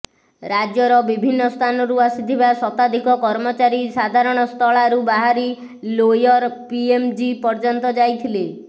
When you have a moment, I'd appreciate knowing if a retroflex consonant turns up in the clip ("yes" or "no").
yes